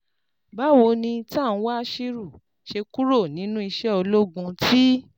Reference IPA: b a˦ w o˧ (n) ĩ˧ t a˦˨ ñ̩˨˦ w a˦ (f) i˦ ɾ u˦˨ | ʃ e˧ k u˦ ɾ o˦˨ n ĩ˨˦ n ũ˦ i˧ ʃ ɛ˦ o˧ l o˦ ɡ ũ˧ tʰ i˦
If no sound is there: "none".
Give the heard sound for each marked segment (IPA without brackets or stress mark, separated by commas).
n, ʃ